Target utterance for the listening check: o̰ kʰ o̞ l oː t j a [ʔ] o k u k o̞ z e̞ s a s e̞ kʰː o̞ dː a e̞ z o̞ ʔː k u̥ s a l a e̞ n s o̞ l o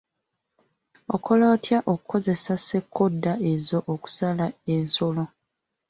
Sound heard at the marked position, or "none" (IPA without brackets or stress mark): ʔ